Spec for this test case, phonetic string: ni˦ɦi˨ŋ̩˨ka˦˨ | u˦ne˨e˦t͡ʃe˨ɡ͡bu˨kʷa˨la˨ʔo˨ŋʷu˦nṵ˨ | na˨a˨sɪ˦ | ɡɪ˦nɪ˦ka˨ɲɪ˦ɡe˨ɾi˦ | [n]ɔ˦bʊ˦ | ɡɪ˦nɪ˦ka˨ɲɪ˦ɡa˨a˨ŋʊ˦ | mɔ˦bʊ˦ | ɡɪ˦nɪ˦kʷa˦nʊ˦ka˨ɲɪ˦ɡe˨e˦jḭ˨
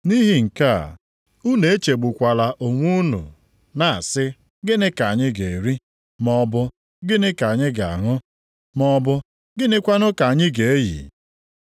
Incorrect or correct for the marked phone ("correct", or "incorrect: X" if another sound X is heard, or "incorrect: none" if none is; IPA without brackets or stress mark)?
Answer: incorrect: m